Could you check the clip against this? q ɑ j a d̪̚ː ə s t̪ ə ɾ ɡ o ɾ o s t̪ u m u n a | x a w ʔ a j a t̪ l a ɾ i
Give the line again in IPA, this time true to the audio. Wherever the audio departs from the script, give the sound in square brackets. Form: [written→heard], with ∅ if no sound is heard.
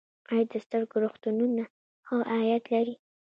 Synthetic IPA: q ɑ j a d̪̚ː ə s t̪ ə ɾ ɡ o ɾ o [s→x] t̪ u [m→n] u n a | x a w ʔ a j a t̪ l a ɾ i